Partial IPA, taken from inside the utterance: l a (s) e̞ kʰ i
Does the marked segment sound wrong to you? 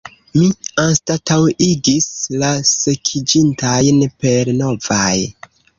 no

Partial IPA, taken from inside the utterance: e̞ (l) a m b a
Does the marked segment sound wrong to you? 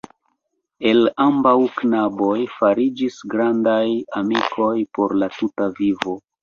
no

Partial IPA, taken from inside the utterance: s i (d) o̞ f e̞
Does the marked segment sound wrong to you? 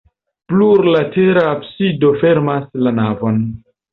no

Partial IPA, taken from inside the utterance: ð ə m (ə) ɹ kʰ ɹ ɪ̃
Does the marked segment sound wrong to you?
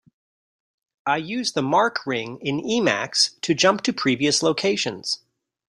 yes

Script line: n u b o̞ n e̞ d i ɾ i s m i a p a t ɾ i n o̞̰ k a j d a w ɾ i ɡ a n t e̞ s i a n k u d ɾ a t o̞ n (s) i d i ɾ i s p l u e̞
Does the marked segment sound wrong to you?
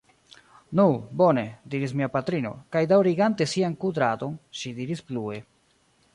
yes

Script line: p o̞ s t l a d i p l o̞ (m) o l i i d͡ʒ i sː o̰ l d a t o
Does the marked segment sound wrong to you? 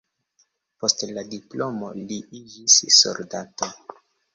no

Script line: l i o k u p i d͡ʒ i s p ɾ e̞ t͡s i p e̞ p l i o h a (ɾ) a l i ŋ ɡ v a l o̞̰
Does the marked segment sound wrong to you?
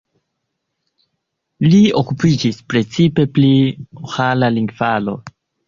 yes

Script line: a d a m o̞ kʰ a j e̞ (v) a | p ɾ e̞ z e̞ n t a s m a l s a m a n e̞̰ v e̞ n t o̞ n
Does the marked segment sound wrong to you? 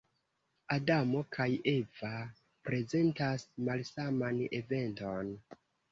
no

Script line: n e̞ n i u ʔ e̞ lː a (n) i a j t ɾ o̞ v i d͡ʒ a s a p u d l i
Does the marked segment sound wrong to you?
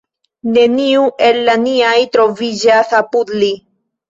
no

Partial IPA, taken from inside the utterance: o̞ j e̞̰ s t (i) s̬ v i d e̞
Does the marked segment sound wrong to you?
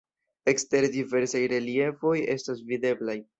yes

